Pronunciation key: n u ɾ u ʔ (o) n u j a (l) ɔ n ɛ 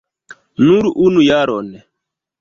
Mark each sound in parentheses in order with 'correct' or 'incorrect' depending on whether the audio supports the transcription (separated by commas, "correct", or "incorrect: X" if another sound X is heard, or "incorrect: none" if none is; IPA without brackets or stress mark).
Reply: incorrect: u, incorrect: ɾ